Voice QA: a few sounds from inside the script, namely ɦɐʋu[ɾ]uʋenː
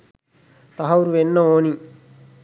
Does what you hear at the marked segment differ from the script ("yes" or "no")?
no